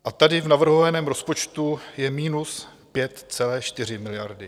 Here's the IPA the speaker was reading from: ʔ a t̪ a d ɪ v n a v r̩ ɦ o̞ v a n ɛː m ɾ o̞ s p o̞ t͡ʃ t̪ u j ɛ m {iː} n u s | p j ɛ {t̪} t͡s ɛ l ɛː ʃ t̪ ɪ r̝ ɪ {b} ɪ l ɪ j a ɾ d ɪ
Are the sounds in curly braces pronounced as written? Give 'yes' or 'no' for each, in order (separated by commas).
yes, yes, no